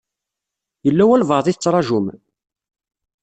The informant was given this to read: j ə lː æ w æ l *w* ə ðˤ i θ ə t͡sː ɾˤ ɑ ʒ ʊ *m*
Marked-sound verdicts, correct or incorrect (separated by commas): incorrect, correct